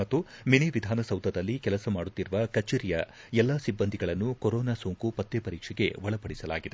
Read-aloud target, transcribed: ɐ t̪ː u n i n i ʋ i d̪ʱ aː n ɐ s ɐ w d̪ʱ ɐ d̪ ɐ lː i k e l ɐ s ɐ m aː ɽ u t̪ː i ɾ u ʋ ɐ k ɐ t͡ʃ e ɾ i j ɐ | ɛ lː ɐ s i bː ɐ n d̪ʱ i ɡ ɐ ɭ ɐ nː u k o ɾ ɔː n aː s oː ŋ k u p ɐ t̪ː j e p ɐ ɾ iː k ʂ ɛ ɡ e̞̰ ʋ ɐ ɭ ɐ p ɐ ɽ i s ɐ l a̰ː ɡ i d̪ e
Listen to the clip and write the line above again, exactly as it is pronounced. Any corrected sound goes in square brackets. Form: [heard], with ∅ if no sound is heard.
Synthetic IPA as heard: ɐ t̪ː u [m] i n i ʋ i d̪ʱ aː n ɐ s ɐ w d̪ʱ ɐ d̪ ɐ lː i k [ɛ] l ɐ s ɐ m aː ɽ u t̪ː i ɾ u ʋ ɐ k ɐ t͡ʃ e ɾ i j ɐ | ɛ lː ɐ s i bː ɐ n d̪ʱ i ɡ ɐ ɭ ɐ nː u k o ɾ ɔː n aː s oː ŋ k u p ɐ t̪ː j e p ɐ ɾ iː k ʂ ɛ ɡ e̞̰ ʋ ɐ ɭ ɐ p ɐ ɽ i s ɐ l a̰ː ɡ i d̪ e